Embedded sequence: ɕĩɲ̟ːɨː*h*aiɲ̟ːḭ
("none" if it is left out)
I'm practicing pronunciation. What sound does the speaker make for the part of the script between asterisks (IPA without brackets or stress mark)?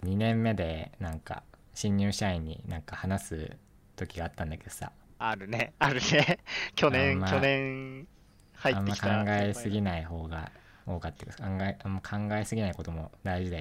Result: ɕ